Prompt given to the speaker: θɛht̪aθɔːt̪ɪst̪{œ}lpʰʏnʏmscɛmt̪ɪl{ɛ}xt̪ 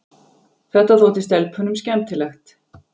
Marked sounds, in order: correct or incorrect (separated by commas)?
incorrect, correct